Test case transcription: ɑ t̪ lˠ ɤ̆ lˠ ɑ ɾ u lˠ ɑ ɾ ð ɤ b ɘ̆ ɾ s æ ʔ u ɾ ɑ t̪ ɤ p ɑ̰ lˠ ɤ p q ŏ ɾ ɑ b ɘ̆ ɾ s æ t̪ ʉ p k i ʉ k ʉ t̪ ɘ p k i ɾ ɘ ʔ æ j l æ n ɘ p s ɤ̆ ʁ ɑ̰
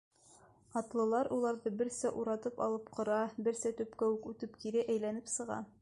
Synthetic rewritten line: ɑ t̪ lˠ ɤ̆ lˠ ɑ ɾ u lˠ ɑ ɾ ð ɤ b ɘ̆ ɾ s æ ʔ u ɾ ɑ t̪ ɤ p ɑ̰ lˠ ɤ p q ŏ ɾ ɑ b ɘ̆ ɾ s æ t̪ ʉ p k æ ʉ k ʉ t̪ ɘ p k i ɾ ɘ ʔ æ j l æ n ɘ p s ɤ̆ ʁ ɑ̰

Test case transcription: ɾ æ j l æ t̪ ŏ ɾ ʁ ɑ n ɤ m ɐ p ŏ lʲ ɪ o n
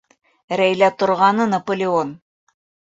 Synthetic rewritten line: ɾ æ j l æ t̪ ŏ ɾ ʁ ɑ n ɤ n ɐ p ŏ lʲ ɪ o n

